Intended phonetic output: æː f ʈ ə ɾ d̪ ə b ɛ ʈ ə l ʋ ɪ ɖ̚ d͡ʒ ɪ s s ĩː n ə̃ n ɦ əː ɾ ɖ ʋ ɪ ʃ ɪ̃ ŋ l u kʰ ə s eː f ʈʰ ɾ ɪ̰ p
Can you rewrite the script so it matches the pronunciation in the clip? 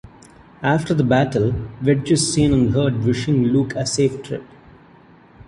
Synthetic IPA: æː f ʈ ə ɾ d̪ ə b æ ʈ ə l ʋ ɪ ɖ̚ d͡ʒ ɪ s s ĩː n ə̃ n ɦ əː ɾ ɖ ʋ ɪ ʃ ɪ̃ ŋ l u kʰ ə s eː f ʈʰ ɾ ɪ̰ p